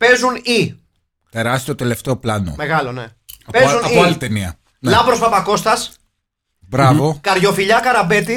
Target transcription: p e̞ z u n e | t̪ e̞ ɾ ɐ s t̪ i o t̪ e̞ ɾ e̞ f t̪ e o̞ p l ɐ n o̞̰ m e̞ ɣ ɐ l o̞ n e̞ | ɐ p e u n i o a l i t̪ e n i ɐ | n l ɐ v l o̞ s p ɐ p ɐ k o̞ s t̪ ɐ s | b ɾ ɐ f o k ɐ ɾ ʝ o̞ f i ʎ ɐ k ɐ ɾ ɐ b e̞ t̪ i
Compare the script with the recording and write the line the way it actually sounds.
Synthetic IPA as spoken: p e̞ z u n i | t̪ e̞ ɾ ɐ s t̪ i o t̪ e̞ l e̞ f t̪ e o̞ p l ɐ n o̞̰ m e̞ ɣ ɐ l o̞ n e̞ | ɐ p e u n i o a l i t̪ e n i ɐ | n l ɐ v ɾ o̞ s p ɐ p ɐ k o̞ s t̪ ɐ s | b ɾ ɐ v o k ɐ ɾ ʝ o̞ f i ʎ ɐ k ɐ ɾ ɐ b e̞ t̪ i